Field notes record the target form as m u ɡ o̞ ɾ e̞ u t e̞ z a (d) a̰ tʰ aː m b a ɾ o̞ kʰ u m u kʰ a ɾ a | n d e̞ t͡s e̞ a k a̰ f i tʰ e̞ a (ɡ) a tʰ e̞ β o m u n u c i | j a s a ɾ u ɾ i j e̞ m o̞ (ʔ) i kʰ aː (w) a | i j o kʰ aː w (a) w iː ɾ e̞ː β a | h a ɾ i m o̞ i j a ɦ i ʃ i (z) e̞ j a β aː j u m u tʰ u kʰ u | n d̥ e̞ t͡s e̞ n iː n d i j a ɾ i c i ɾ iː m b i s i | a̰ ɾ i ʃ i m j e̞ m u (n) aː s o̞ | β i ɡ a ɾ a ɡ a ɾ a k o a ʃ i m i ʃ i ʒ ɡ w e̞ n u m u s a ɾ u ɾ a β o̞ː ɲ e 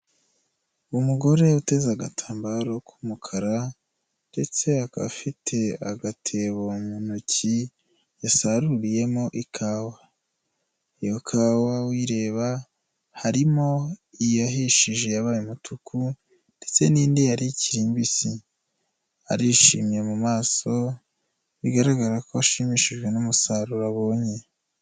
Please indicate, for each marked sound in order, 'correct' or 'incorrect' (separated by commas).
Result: incorrect, correct, correct, correct, correct, incorrect, incorrect